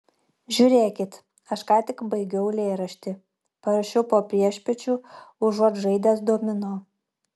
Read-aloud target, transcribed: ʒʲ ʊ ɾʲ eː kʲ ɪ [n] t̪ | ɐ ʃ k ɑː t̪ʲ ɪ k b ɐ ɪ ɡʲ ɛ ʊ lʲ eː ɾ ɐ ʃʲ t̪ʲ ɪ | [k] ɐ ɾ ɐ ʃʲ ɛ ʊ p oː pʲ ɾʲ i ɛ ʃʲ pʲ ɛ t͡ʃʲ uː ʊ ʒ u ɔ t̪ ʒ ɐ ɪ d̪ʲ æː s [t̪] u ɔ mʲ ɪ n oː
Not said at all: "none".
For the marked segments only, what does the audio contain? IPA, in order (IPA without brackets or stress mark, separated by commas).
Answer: none, p, d̪